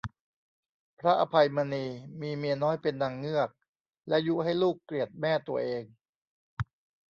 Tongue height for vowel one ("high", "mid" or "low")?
low